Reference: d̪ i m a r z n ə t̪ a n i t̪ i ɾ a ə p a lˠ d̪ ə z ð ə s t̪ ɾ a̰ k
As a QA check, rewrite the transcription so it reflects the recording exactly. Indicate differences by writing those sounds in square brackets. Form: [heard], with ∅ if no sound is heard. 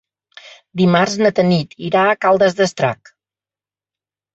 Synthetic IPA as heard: d̪ i m a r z n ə t̪ [ə] n i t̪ i ɾ a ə [k] a lˠ d̪ ə z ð ə s t̪ ɾ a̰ k